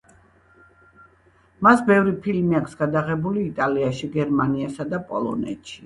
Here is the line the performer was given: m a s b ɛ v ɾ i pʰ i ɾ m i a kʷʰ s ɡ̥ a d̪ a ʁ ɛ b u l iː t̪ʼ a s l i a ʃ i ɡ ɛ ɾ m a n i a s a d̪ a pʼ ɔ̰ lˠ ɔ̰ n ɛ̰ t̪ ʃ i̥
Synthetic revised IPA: m a s b ɛ v ɾ i pʰ i l m i a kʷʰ s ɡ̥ a d̪ a ʁ ɛ b u l iː t̪ʼ a l i a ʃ i ɡ ɛ ɾ m a n i a s a d̪ a pʼ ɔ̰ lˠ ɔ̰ n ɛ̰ t̪ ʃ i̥